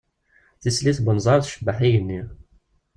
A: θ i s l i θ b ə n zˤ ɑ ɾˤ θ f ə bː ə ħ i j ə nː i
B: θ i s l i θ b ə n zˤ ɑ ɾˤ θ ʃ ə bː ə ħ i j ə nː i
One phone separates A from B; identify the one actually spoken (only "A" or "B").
B